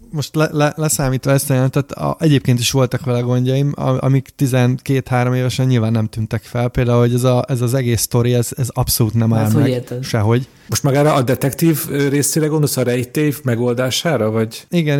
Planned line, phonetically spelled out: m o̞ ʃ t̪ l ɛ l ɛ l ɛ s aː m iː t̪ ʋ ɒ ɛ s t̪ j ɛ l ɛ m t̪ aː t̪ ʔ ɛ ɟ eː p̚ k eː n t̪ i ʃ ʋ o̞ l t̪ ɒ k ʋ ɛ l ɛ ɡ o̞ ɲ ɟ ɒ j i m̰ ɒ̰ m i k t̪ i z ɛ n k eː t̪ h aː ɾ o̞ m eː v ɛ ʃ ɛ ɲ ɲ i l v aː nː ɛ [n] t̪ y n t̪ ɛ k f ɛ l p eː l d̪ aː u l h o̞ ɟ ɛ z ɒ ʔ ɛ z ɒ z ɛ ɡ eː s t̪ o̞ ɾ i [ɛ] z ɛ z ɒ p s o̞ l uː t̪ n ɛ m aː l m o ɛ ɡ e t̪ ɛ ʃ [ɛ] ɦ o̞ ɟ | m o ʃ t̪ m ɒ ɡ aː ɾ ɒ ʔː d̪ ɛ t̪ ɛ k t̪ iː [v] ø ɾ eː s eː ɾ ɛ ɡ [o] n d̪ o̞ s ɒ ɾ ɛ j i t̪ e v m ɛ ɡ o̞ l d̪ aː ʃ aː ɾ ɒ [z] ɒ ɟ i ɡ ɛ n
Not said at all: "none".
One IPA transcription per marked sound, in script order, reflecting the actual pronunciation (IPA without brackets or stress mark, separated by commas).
m, ɛ, ɛ, v, o, v